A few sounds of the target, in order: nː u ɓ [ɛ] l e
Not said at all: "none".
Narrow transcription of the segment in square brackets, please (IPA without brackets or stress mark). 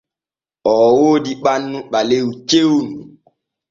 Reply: a